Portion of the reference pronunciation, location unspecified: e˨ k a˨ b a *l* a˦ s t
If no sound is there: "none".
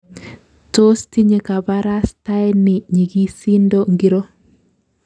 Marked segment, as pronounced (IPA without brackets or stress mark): ɾ